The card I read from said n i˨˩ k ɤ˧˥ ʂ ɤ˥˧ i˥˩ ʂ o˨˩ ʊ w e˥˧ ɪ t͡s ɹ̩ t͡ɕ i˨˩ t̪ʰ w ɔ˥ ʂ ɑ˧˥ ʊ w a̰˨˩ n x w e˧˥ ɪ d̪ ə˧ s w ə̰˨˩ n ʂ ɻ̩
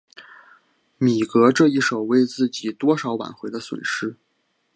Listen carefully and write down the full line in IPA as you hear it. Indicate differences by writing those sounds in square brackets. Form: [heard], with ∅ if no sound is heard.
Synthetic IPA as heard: [m] i˨˩ k ɤ˧˥ [ʈ͡ʂ] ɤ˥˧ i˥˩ ʂ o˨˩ ʊ w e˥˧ ɪ t͡s ɹ̩ t͡ɕ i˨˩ [t̪] w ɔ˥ ʂ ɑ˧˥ ʊ w a̰˨˩ n x w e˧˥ ɪ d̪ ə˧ s w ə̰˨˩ n ʂ ɻ̩